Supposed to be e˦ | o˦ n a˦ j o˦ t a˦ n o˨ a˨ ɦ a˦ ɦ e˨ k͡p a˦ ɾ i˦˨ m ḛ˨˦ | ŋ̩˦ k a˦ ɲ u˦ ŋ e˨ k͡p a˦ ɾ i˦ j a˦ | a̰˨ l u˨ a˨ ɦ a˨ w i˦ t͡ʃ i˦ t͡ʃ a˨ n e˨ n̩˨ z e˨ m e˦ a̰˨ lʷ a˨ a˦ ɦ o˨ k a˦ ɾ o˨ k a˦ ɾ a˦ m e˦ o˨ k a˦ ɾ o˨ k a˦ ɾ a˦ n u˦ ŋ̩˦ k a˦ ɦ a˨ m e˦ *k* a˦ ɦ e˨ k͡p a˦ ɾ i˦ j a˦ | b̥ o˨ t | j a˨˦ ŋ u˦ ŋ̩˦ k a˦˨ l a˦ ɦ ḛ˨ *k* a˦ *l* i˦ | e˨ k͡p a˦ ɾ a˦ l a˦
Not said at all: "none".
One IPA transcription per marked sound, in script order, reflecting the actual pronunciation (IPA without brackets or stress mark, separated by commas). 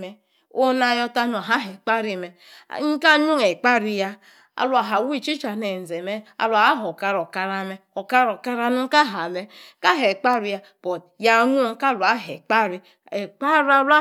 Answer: k, k͡p, ɾ